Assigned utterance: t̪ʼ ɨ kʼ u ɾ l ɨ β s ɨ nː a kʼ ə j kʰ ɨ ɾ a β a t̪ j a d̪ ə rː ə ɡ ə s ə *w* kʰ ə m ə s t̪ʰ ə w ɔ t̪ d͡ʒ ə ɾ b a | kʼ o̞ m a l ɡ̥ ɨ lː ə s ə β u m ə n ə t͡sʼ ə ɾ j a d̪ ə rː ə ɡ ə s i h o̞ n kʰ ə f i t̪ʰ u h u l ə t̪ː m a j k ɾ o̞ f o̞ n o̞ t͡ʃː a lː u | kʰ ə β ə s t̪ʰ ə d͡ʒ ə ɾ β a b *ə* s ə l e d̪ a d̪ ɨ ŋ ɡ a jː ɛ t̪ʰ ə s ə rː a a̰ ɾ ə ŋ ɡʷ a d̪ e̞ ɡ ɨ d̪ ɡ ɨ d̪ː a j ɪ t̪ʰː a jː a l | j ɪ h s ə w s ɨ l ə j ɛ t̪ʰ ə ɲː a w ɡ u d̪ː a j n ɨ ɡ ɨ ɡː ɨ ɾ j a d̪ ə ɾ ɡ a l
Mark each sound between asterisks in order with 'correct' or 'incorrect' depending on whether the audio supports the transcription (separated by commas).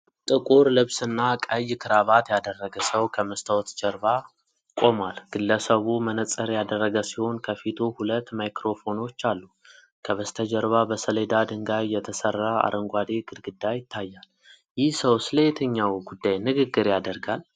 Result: correct, correct